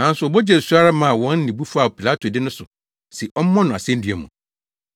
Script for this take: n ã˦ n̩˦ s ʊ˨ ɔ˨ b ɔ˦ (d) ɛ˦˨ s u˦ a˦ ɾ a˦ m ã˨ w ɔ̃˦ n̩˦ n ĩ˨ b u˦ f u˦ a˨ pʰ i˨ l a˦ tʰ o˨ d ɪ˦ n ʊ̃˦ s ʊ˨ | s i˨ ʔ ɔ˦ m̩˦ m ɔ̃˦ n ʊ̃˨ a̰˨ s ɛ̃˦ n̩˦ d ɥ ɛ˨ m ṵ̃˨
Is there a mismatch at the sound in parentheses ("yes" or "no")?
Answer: yes